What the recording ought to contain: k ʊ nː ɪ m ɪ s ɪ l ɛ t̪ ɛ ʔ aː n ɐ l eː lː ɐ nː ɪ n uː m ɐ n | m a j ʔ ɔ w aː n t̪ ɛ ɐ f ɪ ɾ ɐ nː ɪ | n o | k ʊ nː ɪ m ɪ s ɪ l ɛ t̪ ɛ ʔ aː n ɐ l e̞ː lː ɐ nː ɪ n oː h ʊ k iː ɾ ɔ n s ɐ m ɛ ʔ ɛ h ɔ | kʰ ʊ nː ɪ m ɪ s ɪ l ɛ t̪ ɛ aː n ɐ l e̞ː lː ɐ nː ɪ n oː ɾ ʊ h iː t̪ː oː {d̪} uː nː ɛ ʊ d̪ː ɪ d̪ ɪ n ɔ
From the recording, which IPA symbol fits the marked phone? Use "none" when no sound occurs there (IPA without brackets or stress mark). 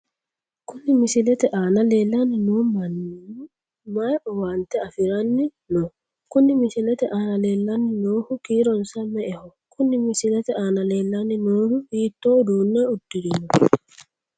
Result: d̪